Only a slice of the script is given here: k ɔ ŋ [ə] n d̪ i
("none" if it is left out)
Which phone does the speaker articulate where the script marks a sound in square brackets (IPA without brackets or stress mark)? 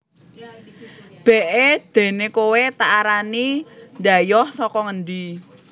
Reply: ə